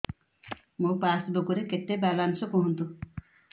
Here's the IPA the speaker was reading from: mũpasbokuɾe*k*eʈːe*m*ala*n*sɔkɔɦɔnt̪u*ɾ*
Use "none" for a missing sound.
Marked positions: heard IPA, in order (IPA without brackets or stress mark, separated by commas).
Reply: k, b, n, none